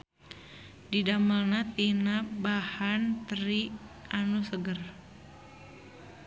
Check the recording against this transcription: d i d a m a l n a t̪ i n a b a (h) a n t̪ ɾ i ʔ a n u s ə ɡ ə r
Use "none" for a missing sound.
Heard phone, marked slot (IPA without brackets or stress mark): h